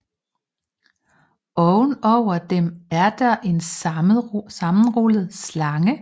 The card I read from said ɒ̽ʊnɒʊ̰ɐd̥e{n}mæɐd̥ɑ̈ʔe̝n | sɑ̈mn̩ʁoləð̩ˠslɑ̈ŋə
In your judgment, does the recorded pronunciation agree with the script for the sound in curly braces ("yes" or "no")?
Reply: no